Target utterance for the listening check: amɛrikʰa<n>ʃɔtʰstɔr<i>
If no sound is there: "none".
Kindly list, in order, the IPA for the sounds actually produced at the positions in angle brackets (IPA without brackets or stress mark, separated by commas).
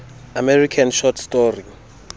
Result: n, i